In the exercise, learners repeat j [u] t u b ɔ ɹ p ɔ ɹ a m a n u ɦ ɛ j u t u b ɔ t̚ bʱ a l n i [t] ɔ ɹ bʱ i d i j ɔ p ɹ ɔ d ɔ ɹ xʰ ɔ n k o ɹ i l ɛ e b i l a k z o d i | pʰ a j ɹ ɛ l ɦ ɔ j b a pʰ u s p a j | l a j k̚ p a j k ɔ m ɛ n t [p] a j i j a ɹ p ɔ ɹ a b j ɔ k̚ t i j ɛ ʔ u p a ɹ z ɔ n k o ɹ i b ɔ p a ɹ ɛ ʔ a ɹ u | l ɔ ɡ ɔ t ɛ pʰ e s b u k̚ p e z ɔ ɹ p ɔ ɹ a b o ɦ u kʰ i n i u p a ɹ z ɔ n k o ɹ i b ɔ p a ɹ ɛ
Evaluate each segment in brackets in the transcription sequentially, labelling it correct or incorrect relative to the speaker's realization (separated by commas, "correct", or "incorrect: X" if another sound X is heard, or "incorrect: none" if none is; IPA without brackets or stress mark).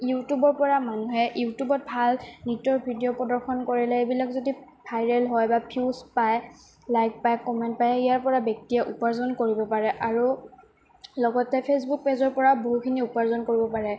correct, correct, correct